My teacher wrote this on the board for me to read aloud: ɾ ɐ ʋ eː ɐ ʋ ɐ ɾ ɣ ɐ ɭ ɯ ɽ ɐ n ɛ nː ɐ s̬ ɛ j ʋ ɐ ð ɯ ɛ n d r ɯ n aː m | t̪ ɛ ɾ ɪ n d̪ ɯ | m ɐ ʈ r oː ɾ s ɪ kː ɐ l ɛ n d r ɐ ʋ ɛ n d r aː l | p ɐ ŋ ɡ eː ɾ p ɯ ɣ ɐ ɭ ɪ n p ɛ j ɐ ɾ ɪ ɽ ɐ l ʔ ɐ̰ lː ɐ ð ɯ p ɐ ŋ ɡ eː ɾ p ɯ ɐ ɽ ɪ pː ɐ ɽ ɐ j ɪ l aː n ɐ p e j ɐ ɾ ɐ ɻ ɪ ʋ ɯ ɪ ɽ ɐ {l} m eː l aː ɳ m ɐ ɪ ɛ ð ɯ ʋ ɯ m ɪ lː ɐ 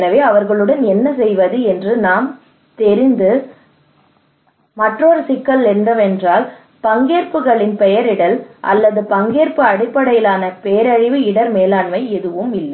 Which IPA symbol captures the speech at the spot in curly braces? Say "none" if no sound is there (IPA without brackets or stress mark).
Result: ɾ